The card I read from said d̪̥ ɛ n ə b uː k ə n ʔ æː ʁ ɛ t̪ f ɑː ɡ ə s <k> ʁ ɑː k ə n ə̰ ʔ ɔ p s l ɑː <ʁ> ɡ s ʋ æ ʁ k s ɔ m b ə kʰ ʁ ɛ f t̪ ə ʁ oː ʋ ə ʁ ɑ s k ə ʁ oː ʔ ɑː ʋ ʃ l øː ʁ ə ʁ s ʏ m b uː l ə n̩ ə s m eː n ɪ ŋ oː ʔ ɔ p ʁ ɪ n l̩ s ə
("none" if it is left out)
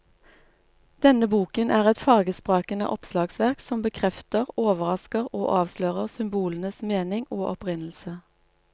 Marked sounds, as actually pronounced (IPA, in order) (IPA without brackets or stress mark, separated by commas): p, none